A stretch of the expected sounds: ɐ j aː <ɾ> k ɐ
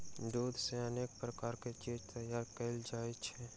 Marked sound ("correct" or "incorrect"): correct